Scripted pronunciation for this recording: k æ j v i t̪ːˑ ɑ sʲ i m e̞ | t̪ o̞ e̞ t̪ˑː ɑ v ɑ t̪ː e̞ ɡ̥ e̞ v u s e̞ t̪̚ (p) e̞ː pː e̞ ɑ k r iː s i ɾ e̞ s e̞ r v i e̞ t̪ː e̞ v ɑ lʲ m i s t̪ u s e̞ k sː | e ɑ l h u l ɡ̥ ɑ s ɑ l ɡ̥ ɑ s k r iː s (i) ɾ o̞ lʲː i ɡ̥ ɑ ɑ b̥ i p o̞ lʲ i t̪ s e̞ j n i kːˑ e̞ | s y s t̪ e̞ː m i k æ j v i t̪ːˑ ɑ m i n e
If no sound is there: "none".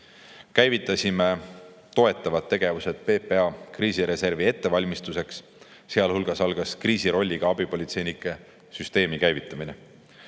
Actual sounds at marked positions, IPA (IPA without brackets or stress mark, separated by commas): p, i